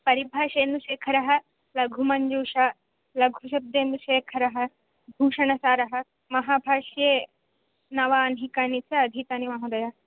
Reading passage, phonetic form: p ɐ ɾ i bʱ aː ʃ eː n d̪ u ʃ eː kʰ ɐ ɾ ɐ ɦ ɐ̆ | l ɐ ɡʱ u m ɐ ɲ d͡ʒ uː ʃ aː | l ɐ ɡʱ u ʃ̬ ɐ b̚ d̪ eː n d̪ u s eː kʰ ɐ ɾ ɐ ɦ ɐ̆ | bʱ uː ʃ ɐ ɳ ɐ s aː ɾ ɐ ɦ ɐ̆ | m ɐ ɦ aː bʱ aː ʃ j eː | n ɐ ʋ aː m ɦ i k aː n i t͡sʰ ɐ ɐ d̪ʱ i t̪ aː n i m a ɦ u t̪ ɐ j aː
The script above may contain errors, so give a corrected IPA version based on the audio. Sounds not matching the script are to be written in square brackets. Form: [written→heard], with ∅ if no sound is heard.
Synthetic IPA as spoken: p ɐ ɾ i bʱ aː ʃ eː n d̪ u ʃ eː kʰ ɐ ɾ ɐ ɦ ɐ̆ | l ɐ ɡʱ u m ɐ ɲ d͡ʒ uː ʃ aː | l ɐ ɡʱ u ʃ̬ ɐ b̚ d̪ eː n d̪ u [s→ʃ] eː kʰ ɐ ɾ ɐ ɦ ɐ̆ | bʱ uː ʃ ɐ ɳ ɐ s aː ɾ ɐ ɦ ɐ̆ | m ɐ ɦ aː bʱ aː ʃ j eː | n ɐ ʋ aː [m→n] ɦ i k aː n i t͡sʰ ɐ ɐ d̪ʱ i t̪ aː n i m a ɦ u [t̪→d̪] ɐ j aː